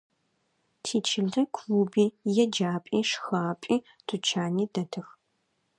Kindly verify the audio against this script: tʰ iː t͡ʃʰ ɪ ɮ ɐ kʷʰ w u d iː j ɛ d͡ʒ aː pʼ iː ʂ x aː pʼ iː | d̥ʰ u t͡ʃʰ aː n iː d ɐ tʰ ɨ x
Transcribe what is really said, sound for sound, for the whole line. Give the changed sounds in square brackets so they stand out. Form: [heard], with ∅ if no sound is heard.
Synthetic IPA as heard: tʰ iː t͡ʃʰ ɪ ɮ ɐ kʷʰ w u [b] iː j ɛ d͡ʒ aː pʼ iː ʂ x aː pʼ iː | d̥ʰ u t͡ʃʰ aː n iː d ɐ tʰ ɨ x